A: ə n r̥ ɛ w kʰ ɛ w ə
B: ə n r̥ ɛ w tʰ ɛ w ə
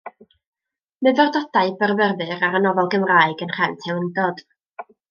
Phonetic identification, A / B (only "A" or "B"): B